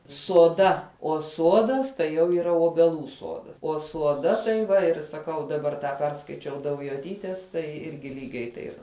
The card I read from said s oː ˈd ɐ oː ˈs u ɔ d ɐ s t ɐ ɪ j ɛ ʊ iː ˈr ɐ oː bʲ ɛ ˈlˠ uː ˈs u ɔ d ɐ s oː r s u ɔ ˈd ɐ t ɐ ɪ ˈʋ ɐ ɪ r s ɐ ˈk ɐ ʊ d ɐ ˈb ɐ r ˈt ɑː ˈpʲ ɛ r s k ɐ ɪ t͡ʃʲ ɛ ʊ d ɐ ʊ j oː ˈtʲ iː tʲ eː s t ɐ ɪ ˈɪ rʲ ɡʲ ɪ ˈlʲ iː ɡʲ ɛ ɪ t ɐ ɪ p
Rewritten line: s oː ˈd ɐ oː ˈs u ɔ d ɐ s t ɐ ɪ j ɛ ʊ iː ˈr ɐ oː bʲ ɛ ˈlˠ uː ˈs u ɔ d ɐ s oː s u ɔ ˈd ɐ t ɐ ɪ ˈʋ ɐ ɪ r s ɐ ˈk ɐ ʊ d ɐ ˈb ɐ r ˈt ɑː ˈpʲ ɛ r s k ɐ ɪ t͡ʃʲ ɛ ʊ d ɐ ʊ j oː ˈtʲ iː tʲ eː s t ɐ ɪ ˈɪ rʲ ɡʲ ɪ ˈlʲ iː ɡʲ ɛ ɪ t ɐ ɪ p